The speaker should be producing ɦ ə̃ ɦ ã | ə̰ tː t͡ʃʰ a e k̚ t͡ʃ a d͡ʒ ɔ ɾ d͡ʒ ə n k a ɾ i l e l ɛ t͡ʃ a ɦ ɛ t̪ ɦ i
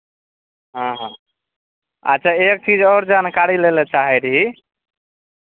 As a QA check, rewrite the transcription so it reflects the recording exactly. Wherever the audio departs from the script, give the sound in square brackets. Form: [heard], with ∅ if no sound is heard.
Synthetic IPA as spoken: ɦ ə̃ ɦ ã | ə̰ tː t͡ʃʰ a e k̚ t͡ʃ [i] d͡ʒ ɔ ɾ d͡ʒ [a] n k a ɾ i l e l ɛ t͡ʃ a ɦ ɛ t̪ ɦ i